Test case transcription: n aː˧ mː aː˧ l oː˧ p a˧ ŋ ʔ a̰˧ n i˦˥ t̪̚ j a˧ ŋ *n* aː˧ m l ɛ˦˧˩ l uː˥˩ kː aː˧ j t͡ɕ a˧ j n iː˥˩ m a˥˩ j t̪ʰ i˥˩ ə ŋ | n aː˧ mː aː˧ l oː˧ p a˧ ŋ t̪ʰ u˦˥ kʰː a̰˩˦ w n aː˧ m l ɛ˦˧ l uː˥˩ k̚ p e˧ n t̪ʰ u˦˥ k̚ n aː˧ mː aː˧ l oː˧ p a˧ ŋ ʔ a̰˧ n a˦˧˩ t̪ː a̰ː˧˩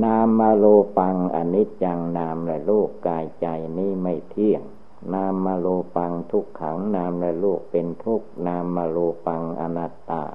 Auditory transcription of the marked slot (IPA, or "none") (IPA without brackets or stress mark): n